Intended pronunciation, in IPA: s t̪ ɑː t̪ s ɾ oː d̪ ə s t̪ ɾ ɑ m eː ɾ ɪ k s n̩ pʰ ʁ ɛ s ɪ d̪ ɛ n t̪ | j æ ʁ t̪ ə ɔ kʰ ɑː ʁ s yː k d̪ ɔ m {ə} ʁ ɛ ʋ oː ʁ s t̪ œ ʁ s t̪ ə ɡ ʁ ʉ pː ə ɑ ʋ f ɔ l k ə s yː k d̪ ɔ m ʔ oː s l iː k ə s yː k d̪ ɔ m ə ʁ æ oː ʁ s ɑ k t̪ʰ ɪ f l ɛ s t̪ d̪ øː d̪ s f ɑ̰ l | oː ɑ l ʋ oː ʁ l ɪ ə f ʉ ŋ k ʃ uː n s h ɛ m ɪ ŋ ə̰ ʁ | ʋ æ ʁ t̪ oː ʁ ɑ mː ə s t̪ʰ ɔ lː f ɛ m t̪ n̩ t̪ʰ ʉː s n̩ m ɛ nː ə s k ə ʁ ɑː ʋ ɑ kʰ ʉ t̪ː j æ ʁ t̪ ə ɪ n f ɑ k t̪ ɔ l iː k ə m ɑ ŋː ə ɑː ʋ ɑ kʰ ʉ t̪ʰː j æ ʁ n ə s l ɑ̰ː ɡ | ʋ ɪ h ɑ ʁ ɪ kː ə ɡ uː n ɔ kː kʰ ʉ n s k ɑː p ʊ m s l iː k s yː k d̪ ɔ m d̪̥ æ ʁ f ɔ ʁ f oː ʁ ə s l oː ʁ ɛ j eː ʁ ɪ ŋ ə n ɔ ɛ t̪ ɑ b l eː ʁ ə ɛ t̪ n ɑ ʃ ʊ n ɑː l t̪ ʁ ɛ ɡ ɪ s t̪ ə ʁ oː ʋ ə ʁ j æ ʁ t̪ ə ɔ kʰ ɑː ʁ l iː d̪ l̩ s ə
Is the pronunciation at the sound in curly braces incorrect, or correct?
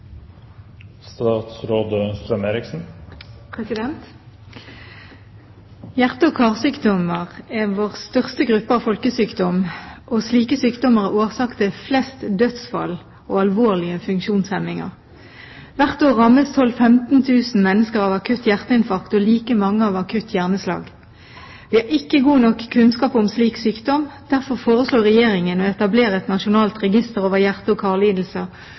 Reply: correct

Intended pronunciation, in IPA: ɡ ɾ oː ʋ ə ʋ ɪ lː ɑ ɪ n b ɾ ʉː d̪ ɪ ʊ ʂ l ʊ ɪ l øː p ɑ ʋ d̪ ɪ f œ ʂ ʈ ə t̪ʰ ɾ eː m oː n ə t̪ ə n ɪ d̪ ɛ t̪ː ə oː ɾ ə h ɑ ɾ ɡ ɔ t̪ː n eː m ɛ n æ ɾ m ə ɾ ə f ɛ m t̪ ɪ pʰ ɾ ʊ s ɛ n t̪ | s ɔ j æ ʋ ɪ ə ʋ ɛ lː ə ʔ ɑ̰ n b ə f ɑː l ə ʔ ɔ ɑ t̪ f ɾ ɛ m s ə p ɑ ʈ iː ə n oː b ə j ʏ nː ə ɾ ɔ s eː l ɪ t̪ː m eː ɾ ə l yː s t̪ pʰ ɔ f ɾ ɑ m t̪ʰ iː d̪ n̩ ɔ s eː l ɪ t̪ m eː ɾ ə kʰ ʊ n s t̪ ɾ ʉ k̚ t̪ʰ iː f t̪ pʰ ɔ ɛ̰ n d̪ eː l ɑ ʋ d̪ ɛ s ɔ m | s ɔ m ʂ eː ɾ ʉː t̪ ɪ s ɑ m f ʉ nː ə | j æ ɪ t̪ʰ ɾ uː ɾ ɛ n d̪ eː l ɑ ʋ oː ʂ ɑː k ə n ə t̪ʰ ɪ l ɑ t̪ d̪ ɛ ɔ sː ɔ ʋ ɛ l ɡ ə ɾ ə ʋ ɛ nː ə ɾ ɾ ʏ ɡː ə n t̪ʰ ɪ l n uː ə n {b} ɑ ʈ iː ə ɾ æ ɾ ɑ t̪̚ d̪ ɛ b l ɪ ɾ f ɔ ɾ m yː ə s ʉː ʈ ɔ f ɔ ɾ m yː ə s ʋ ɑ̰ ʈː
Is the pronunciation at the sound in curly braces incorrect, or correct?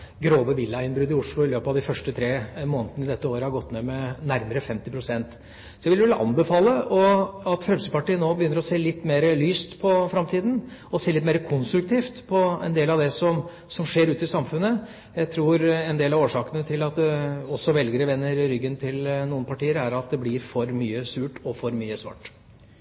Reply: incorrect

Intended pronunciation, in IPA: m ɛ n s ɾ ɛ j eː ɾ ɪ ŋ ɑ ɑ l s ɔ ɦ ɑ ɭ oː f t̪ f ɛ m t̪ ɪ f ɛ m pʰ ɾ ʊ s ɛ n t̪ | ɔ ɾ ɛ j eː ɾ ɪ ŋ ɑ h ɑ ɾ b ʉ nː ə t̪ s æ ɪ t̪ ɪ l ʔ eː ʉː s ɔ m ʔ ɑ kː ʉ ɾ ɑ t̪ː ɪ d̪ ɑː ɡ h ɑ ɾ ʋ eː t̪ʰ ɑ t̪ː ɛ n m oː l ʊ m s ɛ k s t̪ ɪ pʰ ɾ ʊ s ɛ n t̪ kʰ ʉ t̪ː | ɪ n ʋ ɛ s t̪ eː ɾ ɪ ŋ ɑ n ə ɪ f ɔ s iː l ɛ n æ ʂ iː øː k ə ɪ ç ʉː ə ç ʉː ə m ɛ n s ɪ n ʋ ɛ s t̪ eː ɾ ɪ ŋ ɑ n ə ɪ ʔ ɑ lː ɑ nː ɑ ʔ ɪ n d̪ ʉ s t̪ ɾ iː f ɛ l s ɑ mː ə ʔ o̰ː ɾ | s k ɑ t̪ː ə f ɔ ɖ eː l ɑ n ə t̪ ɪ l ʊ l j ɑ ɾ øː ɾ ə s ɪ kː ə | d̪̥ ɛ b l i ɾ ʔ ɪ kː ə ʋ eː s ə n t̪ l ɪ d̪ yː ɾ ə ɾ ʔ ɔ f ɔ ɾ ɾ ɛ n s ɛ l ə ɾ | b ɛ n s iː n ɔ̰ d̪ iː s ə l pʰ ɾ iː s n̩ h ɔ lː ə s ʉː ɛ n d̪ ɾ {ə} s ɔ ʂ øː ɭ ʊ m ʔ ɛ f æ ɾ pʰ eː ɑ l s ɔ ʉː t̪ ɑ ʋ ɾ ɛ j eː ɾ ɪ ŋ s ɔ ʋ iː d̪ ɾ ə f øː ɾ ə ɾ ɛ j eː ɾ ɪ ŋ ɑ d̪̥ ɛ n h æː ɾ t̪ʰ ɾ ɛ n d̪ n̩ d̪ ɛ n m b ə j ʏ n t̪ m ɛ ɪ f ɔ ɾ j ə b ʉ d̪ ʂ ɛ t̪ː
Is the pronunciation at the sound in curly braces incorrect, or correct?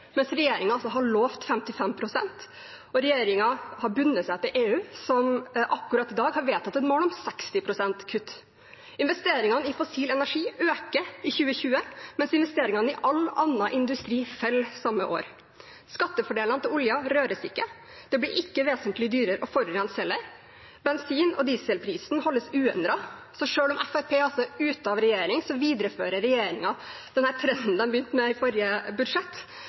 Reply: incorrect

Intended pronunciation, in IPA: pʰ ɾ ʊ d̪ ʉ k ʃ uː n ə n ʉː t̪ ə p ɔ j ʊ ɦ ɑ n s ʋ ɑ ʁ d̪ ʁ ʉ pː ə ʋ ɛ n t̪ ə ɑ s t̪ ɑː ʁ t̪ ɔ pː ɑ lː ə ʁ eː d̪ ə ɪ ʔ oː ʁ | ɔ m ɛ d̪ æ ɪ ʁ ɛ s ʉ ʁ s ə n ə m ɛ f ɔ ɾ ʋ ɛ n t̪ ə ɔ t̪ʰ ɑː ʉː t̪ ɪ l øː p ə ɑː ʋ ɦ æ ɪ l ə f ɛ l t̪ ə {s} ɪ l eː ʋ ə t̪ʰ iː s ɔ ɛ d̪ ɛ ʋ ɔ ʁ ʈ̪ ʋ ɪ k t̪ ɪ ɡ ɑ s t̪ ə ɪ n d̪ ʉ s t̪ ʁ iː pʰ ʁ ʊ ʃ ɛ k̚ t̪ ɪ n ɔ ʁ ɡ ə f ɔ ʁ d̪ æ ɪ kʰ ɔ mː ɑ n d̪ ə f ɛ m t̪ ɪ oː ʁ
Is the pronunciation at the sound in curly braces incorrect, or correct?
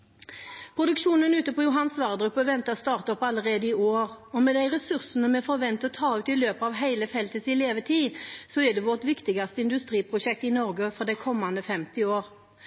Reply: correct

